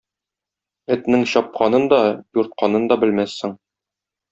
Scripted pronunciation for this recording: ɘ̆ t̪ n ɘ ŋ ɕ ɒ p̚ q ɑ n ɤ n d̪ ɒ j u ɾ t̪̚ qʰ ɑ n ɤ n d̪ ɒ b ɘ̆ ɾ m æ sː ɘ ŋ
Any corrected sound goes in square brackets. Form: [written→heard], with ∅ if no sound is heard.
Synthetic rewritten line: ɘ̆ t̪ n ɘ ŋ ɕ ɒ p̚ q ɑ n ɤ n d̪ ɒ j u ɾ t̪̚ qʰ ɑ n ɤ n d̪ ɒ b ɘ̆ [ɾ→l] m æ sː ɘ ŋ